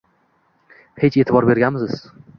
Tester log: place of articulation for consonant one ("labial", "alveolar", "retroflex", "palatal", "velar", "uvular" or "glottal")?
glottal